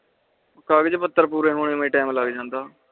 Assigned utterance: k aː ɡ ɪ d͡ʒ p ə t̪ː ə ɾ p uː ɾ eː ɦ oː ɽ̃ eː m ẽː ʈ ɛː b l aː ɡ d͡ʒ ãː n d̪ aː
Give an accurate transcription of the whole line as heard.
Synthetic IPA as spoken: k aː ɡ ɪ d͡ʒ p ə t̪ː ə ɾ p uː ɾ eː ɦ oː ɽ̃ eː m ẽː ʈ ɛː m l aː ɡ d͡ʒ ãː n d̪ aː